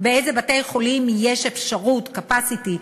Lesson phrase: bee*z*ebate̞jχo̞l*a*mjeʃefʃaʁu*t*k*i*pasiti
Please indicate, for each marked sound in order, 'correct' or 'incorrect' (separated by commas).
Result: correct, incorrect, correct, incorrect